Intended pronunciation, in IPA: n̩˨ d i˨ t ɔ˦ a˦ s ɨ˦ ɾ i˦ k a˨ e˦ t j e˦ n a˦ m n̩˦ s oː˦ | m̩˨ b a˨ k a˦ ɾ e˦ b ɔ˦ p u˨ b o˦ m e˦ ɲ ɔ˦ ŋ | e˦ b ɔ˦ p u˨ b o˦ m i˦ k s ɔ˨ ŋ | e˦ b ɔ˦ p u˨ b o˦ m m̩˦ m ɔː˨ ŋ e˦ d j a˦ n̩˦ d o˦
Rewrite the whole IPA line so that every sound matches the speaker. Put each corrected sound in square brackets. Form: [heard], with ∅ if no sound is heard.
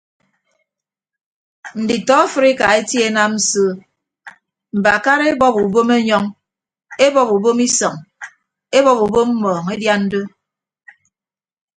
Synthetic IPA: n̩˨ d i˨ t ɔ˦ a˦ [f] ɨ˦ ɾ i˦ k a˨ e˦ t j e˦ n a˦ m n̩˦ s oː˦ | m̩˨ b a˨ k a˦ ɾ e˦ b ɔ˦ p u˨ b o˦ m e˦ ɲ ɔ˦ ŋ | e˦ b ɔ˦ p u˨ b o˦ m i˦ [∅] s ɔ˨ ŋ | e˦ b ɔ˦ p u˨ b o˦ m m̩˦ m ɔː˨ ŋ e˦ d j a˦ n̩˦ d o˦

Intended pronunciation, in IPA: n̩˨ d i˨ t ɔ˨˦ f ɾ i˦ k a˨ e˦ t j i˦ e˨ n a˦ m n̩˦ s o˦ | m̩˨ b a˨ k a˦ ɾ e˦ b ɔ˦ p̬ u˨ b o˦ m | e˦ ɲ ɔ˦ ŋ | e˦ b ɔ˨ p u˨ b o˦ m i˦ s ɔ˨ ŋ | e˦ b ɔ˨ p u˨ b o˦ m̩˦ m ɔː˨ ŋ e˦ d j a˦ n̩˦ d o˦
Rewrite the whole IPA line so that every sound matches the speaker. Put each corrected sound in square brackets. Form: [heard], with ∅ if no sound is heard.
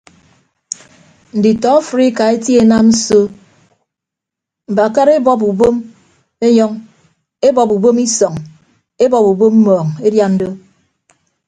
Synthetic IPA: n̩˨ d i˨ t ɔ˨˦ f ɾ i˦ k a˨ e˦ t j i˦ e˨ n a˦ m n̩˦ s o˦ | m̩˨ b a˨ k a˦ ɾ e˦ b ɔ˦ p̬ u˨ b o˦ m | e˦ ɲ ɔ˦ ŋ | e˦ b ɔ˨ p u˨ b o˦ m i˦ s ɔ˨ ŋ | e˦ b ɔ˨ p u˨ b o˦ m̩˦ m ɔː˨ ŋ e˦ d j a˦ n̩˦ d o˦

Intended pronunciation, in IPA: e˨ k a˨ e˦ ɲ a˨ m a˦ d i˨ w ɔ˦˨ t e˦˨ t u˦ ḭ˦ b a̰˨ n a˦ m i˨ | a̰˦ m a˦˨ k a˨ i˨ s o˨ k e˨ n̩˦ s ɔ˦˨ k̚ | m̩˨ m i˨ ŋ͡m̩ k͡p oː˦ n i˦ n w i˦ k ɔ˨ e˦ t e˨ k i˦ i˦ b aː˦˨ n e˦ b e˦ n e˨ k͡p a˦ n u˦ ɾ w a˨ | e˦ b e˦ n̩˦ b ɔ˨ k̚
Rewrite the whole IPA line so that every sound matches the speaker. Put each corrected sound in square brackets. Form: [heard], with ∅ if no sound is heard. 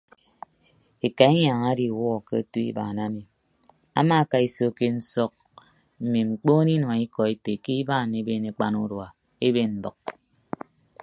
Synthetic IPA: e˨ k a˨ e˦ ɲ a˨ [ŋ] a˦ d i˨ w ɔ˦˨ [k] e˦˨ t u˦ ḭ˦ b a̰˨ n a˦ m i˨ | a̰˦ m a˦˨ k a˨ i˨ s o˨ k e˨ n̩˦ s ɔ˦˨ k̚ | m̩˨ m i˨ ŋ͡m̩ k͡p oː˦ n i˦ n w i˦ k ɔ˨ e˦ t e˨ k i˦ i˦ b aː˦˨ n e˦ b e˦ n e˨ k͡p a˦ n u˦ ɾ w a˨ | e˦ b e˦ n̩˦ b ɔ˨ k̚

